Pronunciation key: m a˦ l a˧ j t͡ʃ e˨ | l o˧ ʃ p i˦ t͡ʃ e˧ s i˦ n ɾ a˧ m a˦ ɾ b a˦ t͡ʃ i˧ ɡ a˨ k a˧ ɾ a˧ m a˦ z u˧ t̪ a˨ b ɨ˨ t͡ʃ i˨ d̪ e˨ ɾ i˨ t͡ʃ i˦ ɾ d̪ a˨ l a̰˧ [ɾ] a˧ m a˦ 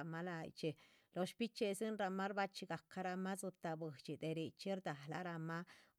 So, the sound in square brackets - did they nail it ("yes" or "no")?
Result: yes